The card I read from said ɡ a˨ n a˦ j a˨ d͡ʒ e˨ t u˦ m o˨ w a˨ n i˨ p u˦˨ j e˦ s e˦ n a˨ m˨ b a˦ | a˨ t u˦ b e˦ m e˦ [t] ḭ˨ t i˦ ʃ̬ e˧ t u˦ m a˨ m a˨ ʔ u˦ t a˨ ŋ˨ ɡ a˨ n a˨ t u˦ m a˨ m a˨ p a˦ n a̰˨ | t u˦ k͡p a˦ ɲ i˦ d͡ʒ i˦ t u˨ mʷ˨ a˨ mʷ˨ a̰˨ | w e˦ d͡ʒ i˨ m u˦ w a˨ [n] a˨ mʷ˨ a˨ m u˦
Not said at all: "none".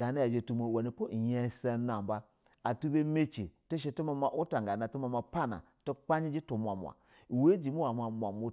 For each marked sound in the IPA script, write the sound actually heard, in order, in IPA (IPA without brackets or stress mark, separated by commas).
t͡ʃ, m